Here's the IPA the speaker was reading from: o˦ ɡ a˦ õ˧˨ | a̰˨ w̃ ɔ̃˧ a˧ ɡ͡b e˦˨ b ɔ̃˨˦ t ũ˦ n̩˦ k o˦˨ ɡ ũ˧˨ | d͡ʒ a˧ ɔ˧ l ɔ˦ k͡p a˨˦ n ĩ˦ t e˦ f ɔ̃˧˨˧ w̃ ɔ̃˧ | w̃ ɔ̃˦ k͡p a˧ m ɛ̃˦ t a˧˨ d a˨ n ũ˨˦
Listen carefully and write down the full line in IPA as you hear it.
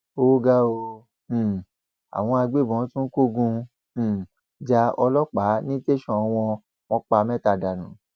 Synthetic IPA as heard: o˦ ɡ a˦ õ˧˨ | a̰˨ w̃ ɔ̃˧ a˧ ɡ͡b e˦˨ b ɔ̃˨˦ t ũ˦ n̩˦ k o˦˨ ɡ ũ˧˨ | d͡ʒ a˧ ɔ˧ l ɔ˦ k͡p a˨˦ n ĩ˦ t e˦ ʃ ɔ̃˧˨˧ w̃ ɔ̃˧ | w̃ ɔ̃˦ k͡p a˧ m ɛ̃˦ t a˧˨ d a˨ n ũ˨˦